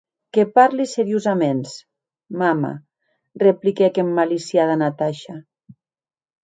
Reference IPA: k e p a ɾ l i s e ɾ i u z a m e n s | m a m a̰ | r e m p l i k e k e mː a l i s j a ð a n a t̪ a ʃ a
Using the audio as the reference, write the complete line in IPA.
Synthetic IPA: k e p a ɾ l i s e ɾ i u z a m e n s | m a m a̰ | r e p l i k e k e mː a l i s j a ð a n a t̪ a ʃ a